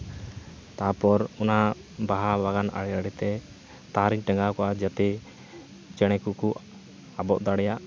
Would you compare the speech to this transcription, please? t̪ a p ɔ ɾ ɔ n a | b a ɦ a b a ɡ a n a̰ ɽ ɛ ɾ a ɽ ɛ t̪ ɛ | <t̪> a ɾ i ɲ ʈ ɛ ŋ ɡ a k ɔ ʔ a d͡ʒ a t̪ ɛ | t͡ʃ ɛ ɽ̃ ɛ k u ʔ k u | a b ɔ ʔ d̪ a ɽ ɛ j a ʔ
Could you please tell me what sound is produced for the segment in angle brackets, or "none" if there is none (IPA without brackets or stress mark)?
t̪